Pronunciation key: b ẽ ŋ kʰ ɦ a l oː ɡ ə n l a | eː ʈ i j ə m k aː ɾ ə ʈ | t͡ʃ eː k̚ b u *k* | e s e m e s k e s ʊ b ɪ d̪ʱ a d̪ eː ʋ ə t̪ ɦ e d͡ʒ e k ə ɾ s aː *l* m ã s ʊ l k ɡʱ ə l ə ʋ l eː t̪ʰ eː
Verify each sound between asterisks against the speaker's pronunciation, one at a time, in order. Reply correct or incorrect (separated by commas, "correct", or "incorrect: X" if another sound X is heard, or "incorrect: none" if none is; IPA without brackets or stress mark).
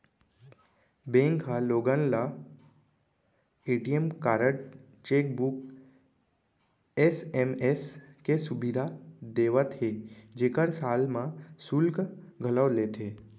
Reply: correct, correct